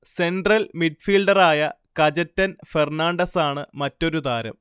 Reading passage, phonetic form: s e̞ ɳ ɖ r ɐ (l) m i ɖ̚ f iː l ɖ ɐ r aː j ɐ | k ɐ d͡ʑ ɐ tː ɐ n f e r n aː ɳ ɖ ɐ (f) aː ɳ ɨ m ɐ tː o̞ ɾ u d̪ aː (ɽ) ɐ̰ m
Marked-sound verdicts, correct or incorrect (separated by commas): correct, incorrect, incorrect